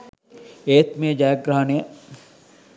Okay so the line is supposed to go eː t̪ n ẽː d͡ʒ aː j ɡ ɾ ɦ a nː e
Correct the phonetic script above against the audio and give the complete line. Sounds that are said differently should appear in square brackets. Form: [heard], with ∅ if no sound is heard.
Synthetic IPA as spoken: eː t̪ [m] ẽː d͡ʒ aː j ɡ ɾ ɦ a [n] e